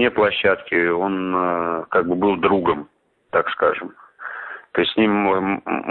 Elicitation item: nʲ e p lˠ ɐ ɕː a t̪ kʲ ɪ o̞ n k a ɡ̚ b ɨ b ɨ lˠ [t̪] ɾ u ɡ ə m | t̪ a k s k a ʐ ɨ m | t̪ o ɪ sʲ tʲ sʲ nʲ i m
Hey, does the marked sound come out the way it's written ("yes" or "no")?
no